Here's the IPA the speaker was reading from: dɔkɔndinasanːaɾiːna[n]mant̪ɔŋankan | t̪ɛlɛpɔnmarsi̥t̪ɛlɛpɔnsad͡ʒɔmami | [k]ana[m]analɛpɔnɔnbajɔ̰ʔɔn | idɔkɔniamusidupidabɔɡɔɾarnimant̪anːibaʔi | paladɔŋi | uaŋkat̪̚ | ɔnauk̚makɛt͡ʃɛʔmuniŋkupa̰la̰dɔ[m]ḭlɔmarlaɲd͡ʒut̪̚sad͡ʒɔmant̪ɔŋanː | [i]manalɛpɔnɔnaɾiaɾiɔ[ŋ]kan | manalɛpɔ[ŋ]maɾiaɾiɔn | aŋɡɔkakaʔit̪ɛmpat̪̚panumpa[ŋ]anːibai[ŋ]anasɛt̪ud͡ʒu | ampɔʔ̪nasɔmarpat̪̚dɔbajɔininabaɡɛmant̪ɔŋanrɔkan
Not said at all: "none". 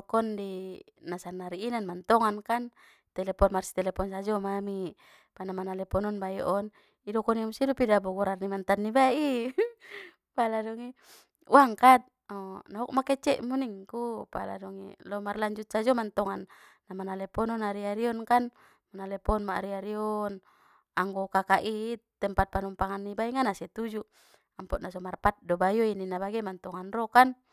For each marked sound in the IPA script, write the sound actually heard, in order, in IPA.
n, p, m, ŋ, a, n, n, ŋ, ŋ

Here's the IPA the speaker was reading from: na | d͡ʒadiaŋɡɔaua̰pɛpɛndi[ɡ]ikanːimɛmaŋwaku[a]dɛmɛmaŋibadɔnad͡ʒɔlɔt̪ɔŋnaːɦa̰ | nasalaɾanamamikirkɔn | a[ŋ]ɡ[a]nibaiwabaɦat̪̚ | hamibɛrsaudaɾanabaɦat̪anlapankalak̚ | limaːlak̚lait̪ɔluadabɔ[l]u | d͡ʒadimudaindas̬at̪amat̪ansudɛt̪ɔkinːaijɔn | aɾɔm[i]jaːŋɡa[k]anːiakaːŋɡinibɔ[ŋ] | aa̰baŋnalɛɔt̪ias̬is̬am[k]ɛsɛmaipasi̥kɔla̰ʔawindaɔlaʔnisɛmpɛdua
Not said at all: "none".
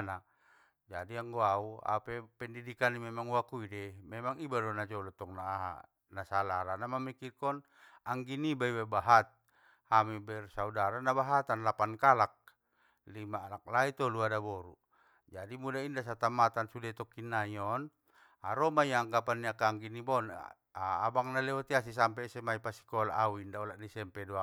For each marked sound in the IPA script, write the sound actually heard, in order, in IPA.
d, i, ŋ, i, ɾ, a, p, n, p

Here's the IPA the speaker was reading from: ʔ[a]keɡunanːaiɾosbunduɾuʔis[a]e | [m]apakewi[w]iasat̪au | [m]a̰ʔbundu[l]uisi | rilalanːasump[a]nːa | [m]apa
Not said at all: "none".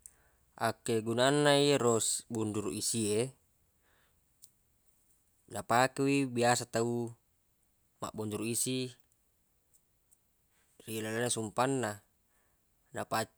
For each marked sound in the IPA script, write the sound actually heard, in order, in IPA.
a, i, n, b, m, ɾ, a, n

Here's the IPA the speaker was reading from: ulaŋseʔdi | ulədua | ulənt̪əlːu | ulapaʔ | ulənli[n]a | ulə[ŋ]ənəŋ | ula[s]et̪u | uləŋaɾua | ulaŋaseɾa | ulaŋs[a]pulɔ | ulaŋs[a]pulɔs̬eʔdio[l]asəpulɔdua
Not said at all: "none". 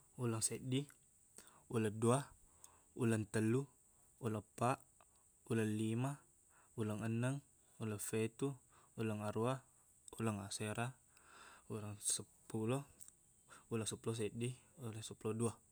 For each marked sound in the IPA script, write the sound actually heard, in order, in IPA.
m, ŋ, f, ə, ə, l

